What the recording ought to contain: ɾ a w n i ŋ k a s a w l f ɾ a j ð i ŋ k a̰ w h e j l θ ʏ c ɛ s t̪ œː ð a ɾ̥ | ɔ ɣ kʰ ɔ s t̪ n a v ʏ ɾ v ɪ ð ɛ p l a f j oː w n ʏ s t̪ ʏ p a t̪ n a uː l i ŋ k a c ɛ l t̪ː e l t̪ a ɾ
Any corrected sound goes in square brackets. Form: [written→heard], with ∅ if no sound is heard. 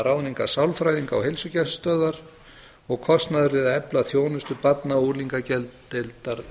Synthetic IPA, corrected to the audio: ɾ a w n i ŋ k a s a w l f ɾ a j ð i ŋ k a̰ w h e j l [θ→s] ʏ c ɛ s t̪ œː ð a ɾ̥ | ɔ ɣ kʰ ɔ s t̪ n a [v→ð] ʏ ɾ v ɪ ð ɛ p l a [f→θ] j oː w n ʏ s t̪ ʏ p a t̪ n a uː l i ŋ k a c ɛ l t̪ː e l t̪ a ɾ

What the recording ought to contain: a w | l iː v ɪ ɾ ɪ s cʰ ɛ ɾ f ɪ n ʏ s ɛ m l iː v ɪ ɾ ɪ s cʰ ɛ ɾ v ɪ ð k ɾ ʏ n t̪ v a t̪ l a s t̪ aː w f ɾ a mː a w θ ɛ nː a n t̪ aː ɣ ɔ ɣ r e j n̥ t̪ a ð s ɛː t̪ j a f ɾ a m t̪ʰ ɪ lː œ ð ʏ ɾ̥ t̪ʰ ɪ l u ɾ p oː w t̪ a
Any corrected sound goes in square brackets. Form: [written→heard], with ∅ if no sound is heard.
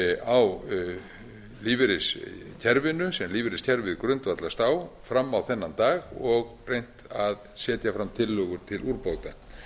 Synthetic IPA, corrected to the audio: a w | l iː v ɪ ɾ ɪ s cʰ ɛ ɾ [f→v] ɪ n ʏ s ɛ m l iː v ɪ ɾ ɪ s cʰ ɛ ɾ v ɪ ð k ɾ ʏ n t̪ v a t̪ l a s t̪ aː w f ɾ a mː a w θ ɛ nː a n t̪ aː ɣ ɔ ɣ r e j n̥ t̪ a ð s ɛː t̪ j a f ɾ a m t̪ʰ ɪ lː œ [ð→ɣ] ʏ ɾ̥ t̪ʰ ɪ l u ɾ p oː w t̪ a

